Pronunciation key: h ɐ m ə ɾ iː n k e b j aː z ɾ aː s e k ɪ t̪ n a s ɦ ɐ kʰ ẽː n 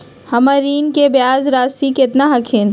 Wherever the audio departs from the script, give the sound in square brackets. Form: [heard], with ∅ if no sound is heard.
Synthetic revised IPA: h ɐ m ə ɾ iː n k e b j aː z ɾ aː s [i] k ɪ t̪ n a [∅] ɦ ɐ kʰ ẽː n

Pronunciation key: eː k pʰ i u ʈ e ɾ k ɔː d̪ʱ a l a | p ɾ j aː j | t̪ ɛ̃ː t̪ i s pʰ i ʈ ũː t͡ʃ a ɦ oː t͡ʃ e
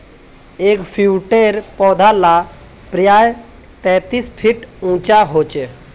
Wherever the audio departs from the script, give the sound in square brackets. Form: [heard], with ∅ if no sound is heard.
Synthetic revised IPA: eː k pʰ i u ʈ e ɾ [p] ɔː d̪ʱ a l a | p ɾ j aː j | t̪ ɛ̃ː t̪ i s pʰ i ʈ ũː t͡ʃ a ɦ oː t͡ʃ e

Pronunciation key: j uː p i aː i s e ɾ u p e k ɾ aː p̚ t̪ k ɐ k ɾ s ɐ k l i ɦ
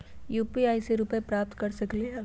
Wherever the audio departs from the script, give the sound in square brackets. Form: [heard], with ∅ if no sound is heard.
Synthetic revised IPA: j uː p i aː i s e ɾ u p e [p] ɾ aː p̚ t̪ k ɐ [∅] ɾ s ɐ k l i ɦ

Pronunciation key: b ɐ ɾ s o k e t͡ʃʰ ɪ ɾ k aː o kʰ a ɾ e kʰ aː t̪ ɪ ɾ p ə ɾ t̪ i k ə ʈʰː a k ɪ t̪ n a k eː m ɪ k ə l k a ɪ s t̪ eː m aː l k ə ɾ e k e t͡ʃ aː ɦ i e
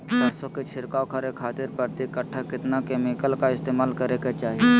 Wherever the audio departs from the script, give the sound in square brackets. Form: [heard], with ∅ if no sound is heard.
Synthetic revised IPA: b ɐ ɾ s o k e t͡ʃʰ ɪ ɾ k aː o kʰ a ɾ e kʰ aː t̪ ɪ ɾ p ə ɾ t̪ i k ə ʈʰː a k ɪ t̪ n a k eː m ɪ k ə l k a ɪ s t̪ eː m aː l k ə ɾ e k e t͡ʃ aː ɦ i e

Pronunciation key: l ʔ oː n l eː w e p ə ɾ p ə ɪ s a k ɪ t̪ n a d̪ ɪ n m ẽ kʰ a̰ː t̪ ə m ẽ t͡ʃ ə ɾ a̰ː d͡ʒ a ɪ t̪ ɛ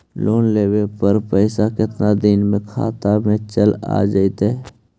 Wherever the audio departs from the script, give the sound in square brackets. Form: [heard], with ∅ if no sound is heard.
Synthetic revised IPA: l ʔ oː n l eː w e p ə ɾ p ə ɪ s a k ɪ t̪ n a d̪ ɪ n m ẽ kʰ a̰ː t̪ [a] m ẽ t͡ʃ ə [l] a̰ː d͡ʒ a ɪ t̪ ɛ

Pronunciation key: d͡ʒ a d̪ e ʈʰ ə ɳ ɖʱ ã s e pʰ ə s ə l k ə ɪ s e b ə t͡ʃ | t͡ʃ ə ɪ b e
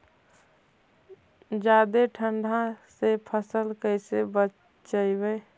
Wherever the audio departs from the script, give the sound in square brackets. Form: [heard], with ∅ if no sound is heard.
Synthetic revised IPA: d͡ʒ a d̪ e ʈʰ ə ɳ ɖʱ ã s e pʰ ə s ə l k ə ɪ s e b ə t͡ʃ | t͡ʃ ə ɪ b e

